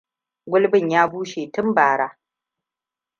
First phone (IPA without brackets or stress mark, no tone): ɡʷ